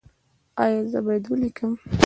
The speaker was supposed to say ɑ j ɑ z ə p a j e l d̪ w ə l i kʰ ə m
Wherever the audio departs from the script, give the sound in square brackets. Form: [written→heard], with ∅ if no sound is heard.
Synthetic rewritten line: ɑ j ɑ z ə [p→b] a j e [l→∅] d̪ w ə l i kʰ ə m